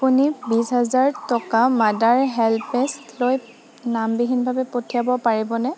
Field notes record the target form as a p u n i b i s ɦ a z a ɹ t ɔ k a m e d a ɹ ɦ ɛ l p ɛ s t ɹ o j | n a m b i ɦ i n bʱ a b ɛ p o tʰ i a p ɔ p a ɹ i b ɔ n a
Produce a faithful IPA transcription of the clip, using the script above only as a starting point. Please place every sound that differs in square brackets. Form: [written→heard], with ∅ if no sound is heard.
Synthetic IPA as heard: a p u n i b i s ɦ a z a ɹ t ɔ k a m [e→a] d a ɹ ɦ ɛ l p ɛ s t [ɹ→l] o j | n a m b i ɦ i n bʱ a b ɛ p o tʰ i a [p→b] ɔ p a ɹ i b ɔ n [a→ɛ]